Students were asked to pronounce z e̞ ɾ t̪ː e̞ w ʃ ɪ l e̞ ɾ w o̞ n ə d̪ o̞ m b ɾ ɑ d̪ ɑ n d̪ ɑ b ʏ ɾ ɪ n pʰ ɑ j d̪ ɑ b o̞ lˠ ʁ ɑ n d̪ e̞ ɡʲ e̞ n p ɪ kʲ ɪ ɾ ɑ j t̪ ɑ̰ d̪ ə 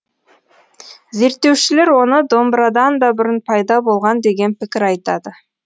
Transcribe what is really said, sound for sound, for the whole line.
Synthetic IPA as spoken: z e̞ ɾ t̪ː e̞ w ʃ ɪ l e̞ ɾ w o̞ n ə d̪ o̞ m b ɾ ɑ d̪ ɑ n d̪ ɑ b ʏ ɾ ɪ n pʰ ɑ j d̪ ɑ b o̞ lˠ ʁ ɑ n d̪ e̞ ɡʲ e̞ n p ɪ kʲ ɪ ɾ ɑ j t̪ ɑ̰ d̪ ə